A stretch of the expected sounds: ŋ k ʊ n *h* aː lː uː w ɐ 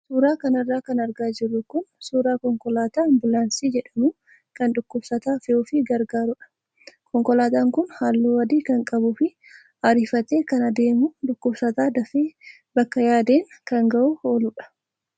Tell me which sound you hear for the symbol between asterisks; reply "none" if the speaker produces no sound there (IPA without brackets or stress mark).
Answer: h